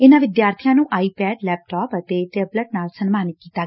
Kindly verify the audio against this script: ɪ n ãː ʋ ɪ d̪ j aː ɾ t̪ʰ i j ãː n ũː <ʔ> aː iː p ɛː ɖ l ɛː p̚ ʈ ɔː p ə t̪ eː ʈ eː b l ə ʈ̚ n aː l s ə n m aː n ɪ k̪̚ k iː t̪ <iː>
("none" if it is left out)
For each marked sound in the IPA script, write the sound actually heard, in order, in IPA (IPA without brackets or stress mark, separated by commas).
ʔ, aː